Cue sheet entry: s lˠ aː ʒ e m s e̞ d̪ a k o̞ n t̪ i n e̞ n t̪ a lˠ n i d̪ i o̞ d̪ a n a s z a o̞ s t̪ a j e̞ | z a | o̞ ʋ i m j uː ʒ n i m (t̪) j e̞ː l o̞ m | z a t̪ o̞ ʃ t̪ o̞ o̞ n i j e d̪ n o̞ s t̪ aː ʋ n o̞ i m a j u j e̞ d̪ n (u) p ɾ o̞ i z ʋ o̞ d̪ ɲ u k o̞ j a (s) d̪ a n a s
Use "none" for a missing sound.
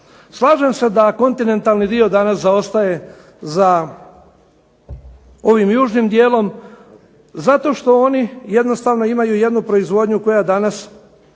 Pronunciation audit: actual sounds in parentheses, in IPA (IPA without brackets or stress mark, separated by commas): d̪, u, none